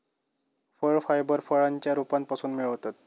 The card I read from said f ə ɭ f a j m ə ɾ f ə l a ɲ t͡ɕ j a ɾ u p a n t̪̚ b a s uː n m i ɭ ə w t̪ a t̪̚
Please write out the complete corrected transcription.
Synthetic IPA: f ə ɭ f a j b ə ɾ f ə ɭ a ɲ t͡ɕ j a ɾ u p a n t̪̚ p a s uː n m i ɭ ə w t̪ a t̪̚